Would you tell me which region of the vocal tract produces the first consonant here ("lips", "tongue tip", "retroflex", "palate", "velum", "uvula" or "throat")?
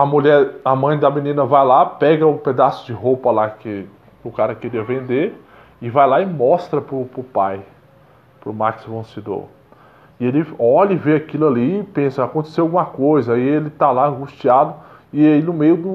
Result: lips